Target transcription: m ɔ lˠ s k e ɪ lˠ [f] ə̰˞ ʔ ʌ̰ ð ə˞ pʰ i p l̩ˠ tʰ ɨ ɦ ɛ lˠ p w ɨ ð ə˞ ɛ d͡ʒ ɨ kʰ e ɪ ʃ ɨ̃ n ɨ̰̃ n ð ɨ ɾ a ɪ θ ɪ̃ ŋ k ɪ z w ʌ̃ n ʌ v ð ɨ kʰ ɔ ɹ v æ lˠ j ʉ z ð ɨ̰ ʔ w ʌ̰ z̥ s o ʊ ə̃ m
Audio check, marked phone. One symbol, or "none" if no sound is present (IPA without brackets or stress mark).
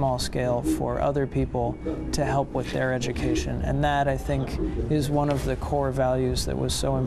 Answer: f